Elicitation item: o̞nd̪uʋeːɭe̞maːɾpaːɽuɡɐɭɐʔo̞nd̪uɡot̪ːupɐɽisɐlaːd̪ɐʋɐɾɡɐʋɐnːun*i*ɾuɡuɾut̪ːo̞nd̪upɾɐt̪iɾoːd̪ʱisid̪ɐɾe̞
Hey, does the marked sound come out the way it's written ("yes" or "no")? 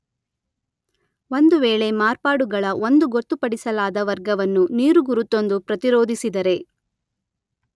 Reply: no